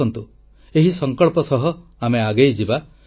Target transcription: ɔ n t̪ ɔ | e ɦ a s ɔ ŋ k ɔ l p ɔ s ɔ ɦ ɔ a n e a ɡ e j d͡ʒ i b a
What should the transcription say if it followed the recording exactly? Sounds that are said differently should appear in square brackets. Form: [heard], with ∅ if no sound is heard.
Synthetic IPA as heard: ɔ n t̪ [u] | e ɦ [i] s ɔ ŋ k ɔ [ɭ] p ɔ s ɔ ɦ ɔ a [m] e a ɡ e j d͡ʒ i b a